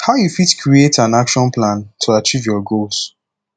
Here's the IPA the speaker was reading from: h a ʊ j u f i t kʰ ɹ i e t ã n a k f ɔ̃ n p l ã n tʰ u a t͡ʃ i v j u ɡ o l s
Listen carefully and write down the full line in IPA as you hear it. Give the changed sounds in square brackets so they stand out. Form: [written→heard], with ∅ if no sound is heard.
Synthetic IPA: h a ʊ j u f i t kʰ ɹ i e t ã n a k [f→ʃ] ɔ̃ n p l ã n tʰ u a t͡ʃ i v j [u→ɔ] ɡ o l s